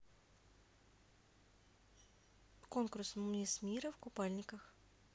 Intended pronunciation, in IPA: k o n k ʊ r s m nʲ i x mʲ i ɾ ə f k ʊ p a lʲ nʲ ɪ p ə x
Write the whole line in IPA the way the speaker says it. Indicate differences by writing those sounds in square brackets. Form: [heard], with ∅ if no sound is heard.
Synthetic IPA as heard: k o n k ʊ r s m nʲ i [s] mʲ i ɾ ə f k ʊ p a lʲ nʲ ɪ [k] ə x